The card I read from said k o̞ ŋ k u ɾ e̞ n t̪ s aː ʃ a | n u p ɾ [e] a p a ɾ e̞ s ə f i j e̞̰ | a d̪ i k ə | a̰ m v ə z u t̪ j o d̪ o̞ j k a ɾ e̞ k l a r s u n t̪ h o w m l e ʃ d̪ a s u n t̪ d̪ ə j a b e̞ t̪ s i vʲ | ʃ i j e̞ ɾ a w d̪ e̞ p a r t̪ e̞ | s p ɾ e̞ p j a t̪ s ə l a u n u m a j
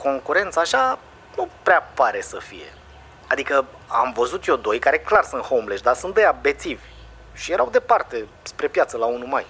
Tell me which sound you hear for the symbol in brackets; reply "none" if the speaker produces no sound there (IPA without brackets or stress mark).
e